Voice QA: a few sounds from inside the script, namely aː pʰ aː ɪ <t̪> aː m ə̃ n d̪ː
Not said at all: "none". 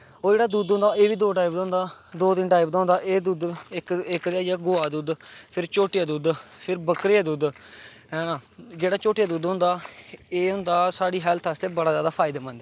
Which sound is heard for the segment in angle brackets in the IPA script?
d̪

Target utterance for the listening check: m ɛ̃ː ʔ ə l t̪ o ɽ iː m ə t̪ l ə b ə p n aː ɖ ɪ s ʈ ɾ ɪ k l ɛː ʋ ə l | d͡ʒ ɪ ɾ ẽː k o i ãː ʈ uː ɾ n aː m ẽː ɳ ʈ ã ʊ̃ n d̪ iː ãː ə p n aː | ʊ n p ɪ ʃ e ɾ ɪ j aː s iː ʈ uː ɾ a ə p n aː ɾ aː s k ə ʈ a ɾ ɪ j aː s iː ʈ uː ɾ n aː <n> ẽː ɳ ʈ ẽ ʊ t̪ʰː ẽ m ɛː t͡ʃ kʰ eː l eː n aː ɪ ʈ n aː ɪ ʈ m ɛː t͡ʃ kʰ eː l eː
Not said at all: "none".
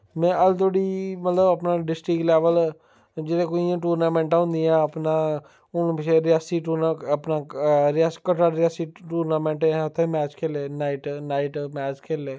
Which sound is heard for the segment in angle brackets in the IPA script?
m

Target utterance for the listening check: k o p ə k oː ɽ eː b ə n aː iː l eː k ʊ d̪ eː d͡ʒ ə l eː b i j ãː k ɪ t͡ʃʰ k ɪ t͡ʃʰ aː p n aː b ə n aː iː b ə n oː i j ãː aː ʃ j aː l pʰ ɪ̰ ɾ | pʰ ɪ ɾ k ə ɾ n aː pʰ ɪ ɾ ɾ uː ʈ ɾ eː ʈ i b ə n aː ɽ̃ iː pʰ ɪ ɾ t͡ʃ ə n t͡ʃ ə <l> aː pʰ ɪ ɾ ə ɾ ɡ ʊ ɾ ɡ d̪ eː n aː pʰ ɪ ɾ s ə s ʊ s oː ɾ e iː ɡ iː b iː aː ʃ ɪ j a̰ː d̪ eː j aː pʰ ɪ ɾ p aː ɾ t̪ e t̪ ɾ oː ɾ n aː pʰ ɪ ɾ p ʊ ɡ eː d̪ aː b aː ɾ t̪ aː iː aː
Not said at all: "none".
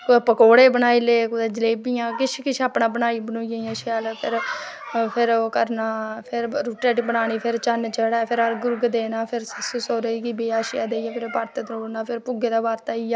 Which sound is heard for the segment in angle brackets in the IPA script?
ɽ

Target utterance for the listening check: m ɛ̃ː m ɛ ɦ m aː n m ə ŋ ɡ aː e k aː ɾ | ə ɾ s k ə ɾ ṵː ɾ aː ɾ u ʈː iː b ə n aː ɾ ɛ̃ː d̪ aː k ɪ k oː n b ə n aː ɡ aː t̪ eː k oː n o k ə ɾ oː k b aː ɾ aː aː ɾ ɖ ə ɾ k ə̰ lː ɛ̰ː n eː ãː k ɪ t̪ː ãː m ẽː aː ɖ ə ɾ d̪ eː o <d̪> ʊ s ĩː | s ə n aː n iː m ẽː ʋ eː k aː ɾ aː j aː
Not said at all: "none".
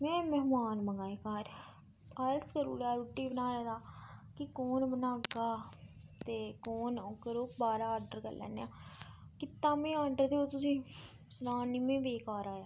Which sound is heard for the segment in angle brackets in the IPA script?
t̪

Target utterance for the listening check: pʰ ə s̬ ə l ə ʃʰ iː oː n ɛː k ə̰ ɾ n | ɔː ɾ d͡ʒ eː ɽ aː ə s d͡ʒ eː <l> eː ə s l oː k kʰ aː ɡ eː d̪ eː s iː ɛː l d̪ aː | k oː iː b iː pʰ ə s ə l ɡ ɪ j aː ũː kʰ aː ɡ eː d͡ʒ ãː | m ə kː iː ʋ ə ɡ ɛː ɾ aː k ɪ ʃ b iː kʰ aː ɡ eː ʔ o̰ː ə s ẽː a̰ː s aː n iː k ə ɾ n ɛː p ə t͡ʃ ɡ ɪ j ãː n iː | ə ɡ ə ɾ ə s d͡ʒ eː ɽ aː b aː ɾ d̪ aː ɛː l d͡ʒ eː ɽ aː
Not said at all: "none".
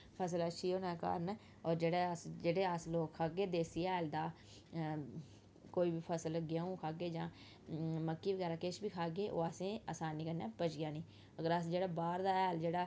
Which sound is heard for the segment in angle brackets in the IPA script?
ɽ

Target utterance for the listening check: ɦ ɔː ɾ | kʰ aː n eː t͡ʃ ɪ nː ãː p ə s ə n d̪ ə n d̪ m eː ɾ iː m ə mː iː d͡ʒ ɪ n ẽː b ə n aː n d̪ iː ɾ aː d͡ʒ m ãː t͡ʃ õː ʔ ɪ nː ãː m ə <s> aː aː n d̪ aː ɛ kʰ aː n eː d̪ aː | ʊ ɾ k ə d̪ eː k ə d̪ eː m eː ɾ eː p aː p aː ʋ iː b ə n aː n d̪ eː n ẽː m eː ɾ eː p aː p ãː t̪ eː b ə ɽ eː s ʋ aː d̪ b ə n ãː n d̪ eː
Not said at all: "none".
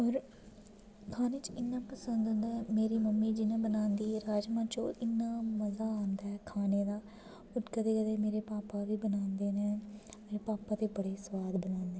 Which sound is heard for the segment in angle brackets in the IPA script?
z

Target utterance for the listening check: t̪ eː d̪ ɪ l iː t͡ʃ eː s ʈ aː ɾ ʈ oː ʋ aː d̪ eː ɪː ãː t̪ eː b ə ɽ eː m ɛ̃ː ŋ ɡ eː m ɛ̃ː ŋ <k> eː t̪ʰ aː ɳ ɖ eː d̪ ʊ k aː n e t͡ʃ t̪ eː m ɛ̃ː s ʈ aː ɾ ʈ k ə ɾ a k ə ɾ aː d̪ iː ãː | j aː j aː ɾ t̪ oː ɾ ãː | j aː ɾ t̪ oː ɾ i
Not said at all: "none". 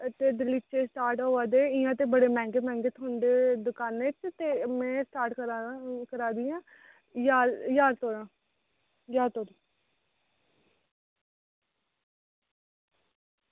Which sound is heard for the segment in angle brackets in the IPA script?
ɡ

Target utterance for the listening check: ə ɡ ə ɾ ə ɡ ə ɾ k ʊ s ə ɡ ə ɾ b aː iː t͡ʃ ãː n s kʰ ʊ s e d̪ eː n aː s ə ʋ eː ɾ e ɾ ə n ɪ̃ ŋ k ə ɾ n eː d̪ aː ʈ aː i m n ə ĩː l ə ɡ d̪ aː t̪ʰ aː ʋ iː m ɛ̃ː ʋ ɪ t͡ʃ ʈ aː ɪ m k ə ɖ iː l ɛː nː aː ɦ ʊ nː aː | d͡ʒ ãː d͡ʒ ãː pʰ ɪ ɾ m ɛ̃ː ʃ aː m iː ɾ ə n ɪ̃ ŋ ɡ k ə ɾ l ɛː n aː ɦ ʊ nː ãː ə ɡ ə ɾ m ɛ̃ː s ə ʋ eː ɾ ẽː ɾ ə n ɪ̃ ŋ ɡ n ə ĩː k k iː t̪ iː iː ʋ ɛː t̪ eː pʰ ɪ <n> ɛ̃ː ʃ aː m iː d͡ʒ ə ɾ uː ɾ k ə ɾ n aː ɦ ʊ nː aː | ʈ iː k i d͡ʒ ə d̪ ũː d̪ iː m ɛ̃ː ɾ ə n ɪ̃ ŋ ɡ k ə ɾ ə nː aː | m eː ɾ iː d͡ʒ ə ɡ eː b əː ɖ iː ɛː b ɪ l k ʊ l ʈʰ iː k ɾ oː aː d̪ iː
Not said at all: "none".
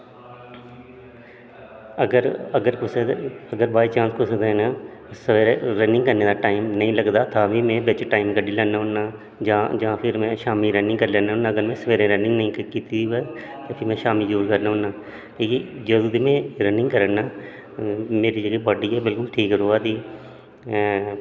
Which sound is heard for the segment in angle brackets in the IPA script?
m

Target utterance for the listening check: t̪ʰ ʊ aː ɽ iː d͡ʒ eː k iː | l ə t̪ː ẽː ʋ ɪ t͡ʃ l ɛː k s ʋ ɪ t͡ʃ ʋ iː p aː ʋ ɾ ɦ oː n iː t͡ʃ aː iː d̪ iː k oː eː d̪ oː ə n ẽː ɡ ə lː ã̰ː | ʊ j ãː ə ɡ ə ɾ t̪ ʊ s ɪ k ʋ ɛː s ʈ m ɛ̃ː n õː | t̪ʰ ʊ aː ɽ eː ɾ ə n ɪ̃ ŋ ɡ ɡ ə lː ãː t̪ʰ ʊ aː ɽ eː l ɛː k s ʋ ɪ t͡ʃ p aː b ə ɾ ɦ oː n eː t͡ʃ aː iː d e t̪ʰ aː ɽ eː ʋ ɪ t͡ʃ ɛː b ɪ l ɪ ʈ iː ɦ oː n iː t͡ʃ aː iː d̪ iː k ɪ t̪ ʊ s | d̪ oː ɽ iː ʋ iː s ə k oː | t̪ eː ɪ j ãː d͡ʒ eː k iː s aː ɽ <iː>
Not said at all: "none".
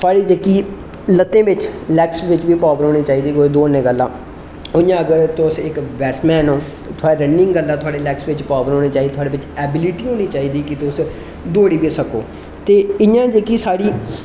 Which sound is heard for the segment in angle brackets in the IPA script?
iː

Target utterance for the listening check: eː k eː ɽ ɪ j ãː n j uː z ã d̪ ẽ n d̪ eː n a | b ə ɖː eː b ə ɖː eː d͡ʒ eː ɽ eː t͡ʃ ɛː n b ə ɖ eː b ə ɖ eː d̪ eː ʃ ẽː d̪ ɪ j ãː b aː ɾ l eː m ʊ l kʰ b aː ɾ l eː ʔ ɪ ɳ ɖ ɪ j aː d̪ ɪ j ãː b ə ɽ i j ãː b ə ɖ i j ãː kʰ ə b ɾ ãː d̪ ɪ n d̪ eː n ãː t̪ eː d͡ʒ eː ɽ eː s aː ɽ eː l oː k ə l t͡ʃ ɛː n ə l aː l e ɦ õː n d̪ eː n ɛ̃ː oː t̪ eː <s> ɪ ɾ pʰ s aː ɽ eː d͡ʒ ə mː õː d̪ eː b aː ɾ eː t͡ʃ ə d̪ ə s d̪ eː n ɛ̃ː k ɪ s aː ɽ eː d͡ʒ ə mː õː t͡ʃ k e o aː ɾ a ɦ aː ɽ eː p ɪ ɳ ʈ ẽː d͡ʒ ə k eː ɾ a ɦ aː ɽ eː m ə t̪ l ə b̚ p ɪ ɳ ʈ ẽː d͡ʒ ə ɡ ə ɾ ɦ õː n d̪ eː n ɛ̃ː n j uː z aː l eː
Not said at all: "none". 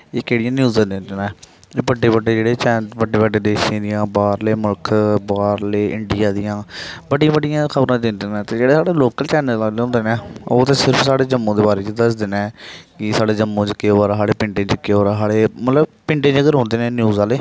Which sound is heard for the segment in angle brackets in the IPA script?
s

